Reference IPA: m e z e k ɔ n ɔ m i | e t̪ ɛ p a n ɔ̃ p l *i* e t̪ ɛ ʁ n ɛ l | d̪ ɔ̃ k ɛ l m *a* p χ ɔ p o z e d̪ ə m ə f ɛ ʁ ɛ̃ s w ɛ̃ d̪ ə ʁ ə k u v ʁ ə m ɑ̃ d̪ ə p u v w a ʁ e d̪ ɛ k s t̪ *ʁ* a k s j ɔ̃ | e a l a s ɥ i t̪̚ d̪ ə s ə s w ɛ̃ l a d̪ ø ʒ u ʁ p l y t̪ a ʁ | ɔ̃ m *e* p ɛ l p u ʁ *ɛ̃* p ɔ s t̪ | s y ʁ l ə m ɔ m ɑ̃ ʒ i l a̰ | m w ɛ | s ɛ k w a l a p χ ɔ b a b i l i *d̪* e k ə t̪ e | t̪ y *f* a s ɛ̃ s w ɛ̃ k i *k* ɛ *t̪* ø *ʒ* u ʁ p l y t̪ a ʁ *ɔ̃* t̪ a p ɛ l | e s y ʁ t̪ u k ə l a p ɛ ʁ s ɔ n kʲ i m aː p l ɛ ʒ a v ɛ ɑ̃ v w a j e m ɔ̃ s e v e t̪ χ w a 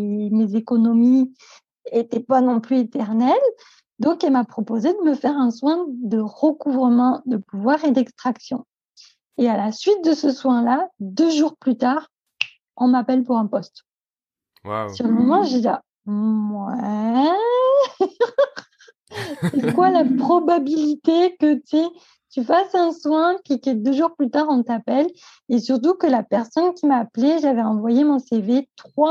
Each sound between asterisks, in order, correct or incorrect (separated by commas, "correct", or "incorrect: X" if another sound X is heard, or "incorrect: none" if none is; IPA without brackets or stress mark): incorrect: y, correct, incorrect: χ, incorrect: a, correct, incorrect: t̪, correct, correct, incorrect: d̪, correct, correct